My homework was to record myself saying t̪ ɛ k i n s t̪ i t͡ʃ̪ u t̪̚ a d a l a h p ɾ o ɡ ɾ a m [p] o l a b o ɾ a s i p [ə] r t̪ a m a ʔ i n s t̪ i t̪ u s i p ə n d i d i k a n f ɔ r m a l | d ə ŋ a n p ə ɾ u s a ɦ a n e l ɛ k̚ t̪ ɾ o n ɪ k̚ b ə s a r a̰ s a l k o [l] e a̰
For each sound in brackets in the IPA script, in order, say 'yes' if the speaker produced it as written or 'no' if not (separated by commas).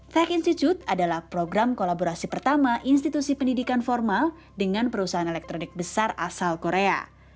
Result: no, yes, no